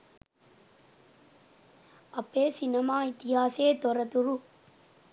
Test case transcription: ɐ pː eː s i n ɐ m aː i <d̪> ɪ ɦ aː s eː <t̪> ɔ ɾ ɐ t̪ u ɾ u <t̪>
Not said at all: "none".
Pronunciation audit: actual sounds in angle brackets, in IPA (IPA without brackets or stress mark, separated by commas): t̪, t̪, none